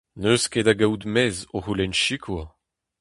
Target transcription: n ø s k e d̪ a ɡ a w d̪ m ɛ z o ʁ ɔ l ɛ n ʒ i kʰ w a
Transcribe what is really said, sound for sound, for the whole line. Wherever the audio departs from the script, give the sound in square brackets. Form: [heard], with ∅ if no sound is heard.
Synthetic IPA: n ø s k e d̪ a ɡ a w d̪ m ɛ z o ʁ [u] l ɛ n [ʃ] i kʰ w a